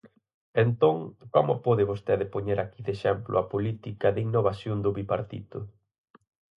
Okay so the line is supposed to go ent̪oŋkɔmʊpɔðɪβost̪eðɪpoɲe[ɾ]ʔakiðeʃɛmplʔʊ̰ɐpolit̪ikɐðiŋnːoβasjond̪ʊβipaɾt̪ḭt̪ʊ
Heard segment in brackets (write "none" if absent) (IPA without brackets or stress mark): ɾ